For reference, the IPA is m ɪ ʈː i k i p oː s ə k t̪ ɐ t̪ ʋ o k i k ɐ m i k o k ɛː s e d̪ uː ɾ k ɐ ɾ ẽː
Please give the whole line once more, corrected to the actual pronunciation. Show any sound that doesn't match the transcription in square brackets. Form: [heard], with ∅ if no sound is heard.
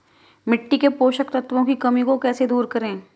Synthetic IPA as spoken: m ɪ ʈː i k [e] p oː [ʃ] ə k t̪ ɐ t̪ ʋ [õ] k i k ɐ m i k o k ɛː s e d̪ uː ɾ k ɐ ɾ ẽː